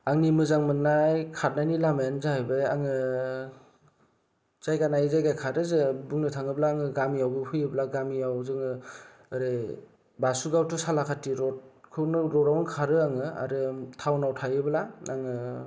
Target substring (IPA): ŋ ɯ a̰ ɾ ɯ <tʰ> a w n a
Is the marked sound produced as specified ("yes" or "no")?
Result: yes